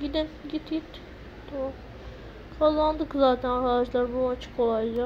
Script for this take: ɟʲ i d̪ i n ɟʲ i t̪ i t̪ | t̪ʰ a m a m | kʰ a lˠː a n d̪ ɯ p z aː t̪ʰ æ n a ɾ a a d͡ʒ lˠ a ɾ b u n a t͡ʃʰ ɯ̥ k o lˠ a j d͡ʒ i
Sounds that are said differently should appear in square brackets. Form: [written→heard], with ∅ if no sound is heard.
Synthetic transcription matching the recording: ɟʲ i d̪ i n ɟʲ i t̪ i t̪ | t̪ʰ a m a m | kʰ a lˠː a n d̪ ɯ [p→k] z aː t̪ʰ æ n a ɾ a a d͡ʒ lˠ a ɾ b u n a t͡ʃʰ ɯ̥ k o lˠ a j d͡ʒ [i→a]